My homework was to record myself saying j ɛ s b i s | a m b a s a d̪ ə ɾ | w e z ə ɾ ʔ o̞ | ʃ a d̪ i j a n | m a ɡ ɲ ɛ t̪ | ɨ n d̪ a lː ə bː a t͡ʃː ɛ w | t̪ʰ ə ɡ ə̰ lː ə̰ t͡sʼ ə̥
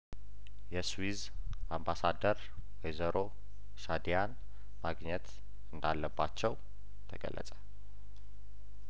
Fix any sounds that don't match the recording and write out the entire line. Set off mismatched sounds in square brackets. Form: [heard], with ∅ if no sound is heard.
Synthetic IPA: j ɛ s [w] i [z] | a m b a s a d̪ ə ɾ | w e z ə ɾ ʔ o̞ | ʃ a d̪ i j a n | m a ɡ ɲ ɛ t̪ | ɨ n d̪ a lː ə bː a t͡ʃː ɛ w | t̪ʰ ə ɡ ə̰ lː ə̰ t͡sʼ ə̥